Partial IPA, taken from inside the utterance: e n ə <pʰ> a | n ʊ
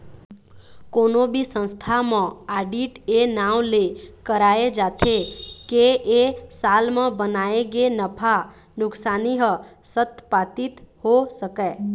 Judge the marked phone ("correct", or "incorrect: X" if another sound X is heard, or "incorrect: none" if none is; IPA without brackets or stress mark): correct